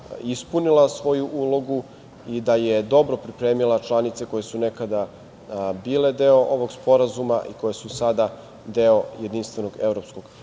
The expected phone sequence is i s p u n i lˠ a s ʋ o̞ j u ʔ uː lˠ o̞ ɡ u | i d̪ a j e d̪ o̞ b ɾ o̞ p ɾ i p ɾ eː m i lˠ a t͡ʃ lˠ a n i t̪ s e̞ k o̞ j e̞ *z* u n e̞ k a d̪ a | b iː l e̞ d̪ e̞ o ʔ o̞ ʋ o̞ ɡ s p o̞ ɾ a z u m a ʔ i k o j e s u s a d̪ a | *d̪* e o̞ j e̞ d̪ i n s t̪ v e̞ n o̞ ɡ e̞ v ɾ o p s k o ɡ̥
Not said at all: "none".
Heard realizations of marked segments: s, d̪

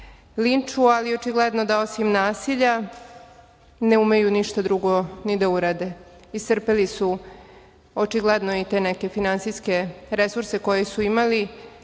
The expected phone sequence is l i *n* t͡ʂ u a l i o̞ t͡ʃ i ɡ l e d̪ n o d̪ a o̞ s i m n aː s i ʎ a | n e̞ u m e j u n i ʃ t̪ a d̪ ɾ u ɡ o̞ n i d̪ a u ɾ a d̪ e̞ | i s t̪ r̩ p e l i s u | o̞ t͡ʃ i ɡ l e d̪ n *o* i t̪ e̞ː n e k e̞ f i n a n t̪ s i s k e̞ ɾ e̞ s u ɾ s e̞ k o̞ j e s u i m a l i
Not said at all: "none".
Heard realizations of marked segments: n, o

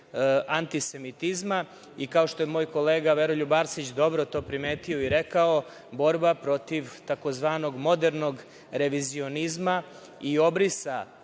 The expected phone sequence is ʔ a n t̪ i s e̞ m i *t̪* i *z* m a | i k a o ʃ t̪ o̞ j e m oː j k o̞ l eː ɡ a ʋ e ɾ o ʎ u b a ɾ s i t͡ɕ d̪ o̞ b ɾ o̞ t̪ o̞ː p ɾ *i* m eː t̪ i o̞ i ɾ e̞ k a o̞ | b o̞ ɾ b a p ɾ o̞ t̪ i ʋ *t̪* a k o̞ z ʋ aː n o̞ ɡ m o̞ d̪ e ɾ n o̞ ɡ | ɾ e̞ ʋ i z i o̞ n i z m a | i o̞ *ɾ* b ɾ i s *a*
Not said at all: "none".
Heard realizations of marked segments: t̪, z, i, t̪, none, a

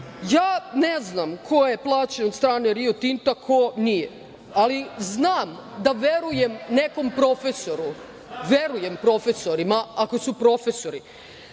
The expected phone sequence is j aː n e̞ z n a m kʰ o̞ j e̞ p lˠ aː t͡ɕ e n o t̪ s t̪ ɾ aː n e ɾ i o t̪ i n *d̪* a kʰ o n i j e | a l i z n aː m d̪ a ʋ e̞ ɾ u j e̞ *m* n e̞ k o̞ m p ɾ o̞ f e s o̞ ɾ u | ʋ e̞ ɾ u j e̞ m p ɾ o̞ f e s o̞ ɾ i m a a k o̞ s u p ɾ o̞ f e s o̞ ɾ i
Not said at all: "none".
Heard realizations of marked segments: t̪, m

